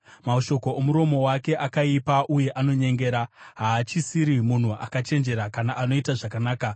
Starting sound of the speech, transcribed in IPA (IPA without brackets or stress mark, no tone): m